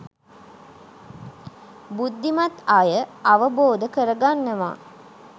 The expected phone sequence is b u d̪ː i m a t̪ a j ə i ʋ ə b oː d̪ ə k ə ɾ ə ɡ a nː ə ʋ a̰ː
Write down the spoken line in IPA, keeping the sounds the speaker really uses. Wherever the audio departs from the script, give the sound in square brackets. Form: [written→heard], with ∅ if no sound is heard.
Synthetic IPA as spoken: b u d̪ː i m a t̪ a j ə [i→a] ʋ ə b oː d̪ ə k ə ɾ ə ɡ a nː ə ʋ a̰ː